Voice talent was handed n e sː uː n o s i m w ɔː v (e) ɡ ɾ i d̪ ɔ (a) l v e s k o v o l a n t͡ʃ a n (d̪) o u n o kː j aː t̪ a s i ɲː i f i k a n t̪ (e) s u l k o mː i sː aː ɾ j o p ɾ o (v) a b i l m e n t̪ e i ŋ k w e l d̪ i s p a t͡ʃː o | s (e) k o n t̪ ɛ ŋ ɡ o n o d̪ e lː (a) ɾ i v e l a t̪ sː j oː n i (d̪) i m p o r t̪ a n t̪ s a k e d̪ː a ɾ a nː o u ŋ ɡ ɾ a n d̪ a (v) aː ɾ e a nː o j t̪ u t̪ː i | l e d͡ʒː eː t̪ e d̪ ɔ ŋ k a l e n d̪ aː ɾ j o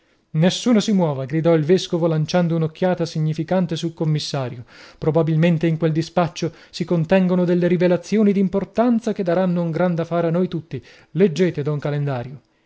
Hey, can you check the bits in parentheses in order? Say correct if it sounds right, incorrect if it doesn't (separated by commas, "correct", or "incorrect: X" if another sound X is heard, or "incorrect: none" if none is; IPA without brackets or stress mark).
incorrect: a, incorrect: i, correct, correct, incorrect: b, incorrect: i, incorrect: e, correct, incorrect: f